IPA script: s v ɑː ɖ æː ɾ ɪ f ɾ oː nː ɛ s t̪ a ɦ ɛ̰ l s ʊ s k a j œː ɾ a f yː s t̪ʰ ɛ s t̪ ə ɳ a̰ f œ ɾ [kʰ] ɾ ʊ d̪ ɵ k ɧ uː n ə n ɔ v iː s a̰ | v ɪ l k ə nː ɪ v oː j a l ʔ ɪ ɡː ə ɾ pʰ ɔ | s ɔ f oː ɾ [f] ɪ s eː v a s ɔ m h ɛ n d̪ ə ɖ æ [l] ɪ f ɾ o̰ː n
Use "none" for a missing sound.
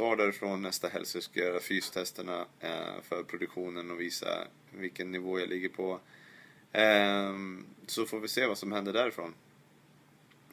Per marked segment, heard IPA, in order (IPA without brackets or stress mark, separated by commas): pʰ, v, ɾ